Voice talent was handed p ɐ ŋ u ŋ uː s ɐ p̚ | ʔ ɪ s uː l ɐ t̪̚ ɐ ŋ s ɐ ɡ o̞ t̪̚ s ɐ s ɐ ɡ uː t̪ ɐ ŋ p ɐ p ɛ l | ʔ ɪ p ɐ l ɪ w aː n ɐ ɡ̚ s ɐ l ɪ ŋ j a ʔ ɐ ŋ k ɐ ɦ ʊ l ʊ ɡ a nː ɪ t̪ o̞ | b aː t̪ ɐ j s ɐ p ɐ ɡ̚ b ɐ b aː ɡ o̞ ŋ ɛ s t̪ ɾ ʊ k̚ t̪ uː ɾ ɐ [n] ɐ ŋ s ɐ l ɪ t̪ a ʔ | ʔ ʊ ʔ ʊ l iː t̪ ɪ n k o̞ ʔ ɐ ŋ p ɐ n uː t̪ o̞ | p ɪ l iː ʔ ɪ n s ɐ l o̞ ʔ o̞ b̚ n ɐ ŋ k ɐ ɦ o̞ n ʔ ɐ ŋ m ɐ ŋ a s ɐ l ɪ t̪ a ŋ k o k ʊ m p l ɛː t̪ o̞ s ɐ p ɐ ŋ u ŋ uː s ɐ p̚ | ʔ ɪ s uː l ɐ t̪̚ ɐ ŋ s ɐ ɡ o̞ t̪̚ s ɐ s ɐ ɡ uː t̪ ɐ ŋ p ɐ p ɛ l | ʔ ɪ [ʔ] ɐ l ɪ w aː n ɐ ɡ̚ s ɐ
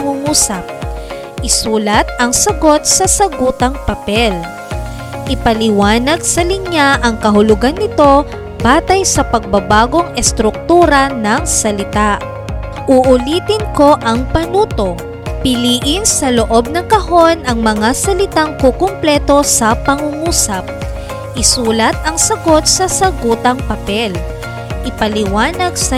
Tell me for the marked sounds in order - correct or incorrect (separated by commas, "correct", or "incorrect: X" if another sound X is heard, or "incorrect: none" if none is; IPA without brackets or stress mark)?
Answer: correct, incorrect: p